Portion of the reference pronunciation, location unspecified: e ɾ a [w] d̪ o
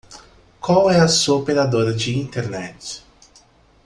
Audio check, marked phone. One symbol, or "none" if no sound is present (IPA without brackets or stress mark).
none